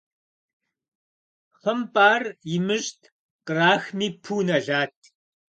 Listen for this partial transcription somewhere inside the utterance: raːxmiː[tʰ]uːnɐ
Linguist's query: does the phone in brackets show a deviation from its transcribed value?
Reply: yes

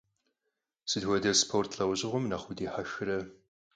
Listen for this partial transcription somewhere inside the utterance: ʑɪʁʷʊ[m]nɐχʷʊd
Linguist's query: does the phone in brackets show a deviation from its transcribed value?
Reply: no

